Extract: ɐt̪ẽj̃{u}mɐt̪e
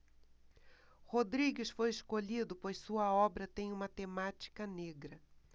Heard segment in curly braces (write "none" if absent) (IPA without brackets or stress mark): ũ